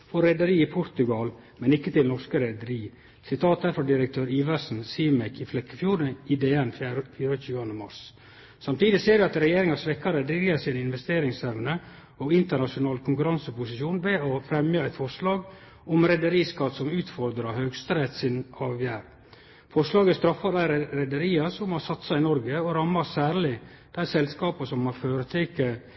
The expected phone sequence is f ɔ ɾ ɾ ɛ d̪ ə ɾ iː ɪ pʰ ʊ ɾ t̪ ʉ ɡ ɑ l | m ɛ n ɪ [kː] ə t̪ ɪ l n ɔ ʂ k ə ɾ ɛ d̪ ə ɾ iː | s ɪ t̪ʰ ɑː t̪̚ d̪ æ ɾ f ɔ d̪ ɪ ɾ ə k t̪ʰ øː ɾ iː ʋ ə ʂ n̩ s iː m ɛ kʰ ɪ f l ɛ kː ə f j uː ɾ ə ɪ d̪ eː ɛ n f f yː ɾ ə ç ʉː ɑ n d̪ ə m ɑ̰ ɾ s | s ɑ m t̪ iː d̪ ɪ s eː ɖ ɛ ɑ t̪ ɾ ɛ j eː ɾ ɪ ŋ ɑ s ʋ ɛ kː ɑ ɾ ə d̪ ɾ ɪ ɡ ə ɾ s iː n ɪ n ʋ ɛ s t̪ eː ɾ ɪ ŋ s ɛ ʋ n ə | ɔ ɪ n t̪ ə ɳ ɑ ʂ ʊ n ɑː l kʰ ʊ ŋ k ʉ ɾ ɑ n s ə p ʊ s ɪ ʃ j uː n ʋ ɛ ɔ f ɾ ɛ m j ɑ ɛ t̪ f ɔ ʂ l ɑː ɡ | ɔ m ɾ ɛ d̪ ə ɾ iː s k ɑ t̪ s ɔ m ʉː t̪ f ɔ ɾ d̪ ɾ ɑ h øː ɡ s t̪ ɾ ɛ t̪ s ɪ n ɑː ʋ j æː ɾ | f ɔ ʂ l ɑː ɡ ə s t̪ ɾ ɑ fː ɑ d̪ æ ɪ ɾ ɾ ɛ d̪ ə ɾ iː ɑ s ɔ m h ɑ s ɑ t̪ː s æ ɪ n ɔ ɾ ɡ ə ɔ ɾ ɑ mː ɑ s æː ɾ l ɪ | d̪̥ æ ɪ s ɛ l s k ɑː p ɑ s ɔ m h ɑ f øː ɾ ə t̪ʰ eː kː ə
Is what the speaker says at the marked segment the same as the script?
yes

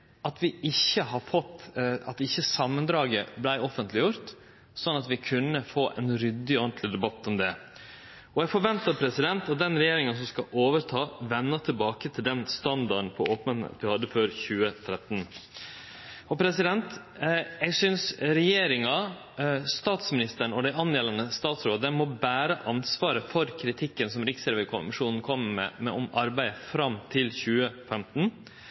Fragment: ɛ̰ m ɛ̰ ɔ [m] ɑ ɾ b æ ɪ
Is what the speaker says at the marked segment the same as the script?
yes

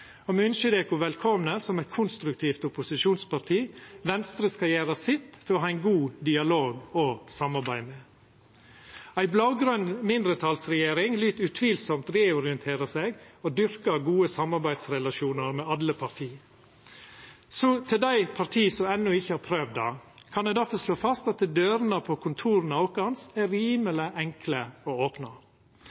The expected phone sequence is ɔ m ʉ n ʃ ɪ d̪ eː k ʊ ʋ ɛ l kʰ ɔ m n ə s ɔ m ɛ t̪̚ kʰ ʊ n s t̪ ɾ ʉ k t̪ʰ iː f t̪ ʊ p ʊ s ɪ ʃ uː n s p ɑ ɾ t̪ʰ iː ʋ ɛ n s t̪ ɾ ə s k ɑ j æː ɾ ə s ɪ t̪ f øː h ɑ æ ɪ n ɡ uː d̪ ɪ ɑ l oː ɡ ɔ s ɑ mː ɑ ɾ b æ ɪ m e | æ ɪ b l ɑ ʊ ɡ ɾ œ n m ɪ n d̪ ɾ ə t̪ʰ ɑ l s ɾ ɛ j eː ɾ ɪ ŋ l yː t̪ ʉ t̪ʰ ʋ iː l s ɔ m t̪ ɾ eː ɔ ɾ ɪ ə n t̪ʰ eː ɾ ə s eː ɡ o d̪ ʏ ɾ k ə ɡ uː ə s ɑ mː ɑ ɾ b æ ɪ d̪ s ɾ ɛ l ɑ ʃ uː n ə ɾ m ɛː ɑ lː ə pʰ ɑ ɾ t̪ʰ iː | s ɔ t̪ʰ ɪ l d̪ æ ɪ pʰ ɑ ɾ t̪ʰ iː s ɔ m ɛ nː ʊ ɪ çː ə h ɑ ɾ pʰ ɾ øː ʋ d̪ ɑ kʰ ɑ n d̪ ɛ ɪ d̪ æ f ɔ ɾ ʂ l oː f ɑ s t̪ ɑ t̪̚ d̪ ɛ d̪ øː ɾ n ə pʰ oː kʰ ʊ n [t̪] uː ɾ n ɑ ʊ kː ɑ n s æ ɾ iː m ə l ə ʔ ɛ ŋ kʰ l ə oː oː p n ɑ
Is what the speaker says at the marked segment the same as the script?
no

